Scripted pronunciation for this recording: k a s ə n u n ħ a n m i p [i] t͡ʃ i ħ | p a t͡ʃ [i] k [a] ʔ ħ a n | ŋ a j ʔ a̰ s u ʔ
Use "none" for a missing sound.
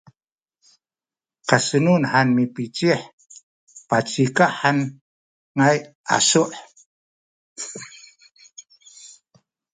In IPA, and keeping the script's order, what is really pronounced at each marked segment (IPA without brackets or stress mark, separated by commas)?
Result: i, i, a